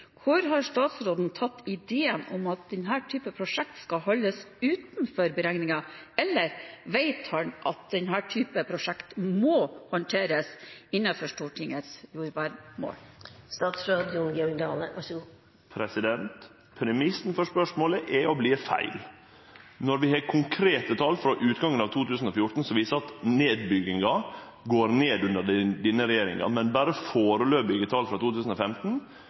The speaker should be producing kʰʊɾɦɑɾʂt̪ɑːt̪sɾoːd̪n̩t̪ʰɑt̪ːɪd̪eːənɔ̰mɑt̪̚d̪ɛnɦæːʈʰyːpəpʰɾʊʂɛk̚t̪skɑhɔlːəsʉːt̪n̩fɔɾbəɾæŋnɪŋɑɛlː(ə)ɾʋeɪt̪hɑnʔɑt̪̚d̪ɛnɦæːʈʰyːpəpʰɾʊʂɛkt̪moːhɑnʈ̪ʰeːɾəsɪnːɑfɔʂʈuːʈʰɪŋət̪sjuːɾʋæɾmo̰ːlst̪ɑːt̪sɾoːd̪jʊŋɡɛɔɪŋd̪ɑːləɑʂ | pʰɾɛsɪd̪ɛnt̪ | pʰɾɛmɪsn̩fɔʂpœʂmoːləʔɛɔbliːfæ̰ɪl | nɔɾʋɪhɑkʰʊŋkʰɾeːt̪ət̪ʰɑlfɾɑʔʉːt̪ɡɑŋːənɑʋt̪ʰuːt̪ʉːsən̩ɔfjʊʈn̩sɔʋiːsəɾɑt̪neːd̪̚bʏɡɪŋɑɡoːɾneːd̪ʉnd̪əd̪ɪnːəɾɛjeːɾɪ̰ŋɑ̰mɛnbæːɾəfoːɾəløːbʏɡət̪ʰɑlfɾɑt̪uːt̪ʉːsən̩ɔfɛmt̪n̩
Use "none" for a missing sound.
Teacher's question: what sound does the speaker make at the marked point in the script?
ə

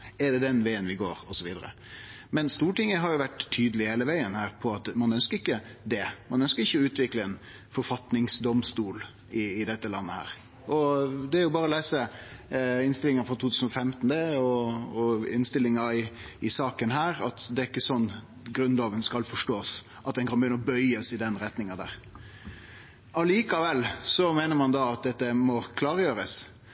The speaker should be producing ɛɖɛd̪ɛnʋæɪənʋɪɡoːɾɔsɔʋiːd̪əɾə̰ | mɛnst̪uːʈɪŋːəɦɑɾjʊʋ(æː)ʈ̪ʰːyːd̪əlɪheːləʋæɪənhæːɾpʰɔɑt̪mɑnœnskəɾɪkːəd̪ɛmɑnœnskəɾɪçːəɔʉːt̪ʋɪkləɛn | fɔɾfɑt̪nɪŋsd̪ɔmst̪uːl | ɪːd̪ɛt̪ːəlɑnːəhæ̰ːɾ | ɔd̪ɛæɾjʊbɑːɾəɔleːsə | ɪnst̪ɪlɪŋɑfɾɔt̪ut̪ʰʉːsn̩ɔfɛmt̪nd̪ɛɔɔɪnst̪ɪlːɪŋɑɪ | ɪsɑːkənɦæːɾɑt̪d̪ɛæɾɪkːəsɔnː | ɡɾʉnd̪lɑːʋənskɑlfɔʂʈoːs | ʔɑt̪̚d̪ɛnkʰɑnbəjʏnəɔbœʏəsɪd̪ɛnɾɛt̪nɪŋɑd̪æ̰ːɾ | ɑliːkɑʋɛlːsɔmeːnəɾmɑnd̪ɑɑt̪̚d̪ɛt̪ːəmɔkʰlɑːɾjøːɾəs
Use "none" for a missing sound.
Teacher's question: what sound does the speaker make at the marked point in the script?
æ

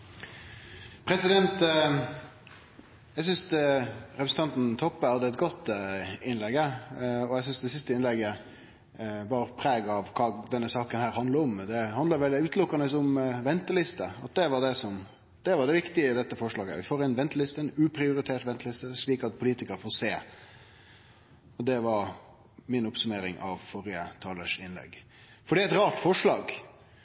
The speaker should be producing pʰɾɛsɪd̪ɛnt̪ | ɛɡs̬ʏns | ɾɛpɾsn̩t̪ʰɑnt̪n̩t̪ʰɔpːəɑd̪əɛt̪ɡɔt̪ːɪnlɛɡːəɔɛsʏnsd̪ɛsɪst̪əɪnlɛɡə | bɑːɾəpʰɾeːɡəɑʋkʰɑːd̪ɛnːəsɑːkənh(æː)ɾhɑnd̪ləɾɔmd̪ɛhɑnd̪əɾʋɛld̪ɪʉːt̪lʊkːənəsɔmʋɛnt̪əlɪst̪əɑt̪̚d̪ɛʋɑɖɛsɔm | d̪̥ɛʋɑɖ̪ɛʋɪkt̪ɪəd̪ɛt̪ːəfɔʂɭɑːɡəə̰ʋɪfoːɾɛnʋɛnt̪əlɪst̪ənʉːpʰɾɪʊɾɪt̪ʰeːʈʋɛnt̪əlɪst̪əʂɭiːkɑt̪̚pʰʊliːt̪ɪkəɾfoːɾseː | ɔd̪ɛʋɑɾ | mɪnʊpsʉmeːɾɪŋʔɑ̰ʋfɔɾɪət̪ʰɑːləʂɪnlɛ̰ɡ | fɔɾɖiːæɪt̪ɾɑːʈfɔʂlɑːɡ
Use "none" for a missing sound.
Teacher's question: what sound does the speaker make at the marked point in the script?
æː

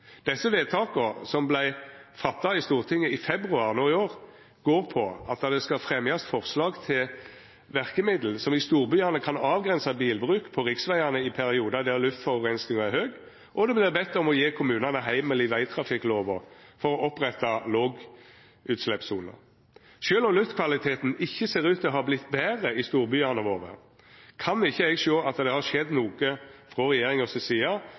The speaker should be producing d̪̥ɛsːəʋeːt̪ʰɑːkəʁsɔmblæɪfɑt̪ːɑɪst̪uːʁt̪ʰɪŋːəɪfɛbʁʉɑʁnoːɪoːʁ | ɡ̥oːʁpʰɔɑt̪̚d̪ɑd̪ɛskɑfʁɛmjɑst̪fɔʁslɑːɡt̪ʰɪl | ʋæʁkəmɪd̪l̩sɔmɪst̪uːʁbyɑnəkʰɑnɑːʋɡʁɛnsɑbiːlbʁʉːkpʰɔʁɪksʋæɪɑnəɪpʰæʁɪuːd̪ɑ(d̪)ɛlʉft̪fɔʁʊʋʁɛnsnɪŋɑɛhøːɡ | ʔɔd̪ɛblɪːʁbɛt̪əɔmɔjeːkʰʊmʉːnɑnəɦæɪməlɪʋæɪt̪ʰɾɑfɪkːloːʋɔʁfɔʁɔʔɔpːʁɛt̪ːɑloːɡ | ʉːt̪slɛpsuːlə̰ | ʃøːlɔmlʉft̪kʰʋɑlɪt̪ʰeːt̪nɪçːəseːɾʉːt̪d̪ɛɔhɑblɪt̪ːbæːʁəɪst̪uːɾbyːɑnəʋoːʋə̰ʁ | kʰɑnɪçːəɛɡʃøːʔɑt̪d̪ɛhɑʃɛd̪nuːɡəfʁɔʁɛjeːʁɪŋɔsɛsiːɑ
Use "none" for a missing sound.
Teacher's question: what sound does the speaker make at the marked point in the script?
d̪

